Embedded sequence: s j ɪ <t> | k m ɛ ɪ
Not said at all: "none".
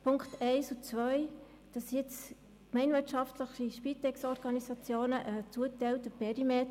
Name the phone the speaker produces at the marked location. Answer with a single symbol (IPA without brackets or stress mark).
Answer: t͡s